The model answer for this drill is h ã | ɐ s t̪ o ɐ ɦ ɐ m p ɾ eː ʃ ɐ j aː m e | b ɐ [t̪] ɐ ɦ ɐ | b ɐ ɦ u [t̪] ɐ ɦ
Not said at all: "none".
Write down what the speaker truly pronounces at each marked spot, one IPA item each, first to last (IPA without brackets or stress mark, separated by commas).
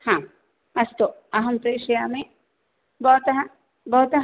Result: t̪, t̪